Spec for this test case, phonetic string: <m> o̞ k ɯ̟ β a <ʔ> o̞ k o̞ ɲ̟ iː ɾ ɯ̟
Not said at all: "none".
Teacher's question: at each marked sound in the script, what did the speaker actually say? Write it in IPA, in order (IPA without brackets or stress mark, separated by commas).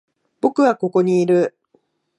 b, k